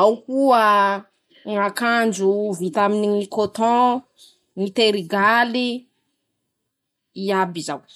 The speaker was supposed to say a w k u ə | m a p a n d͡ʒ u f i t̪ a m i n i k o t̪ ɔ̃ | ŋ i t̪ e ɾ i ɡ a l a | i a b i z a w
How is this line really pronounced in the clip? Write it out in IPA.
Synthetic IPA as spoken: a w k u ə | ŋ a k a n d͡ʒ u v i t̪ a m i n i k o t̪ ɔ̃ | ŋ i t̪ e ɾ i ɡ a l i | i a b i z a w